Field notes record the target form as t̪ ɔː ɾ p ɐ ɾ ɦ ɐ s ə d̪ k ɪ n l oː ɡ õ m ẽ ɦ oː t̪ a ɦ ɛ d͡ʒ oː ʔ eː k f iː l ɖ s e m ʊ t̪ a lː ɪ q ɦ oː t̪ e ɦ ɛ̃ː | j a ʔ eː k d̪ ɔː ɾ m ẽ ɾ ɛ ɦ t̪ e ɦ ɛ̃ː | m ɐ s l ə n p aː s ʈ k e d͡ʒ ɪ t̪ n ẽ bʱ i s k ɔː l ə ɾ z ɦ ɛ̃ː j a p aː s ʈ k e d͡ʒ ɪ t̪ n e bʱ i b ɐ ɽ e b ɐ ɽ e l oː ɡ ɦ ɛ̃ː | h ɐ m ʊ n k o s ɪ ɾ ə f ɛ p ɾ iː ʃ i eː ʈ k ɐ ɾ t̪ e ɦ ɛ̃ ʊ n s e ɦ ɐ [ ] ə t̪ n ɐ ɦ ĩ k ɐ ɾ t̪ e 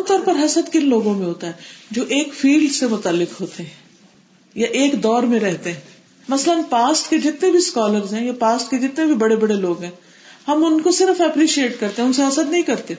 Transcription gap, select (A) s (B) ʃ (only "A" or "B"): A